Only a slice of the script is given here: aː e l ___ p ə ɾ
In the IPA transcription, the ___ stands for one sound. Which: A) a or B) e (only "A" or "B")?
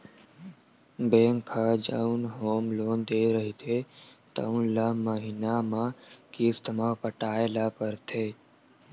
A